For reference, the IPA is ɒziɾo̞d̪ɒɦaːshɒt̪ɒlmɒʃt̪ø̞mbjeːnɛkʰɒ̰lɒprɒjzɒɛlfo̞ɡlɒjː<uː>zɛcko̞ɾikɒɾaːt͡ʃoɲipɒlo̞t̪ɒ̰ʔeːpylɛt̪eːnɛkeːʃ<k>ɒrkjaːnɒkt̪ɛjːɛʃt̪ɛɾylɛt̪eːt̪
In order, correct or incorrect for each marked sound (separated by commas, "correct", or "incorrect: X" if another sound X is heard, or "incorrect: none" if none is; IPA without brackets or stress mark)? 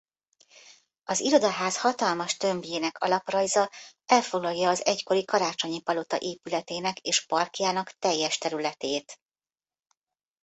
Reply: incorrect: ɒː, incorrect: p